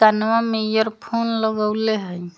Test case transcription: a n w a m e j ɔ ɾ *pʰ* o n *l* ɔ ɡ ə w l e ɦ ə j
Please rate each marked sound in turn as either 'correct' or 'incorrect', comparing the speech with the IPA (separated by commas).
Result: correct, correct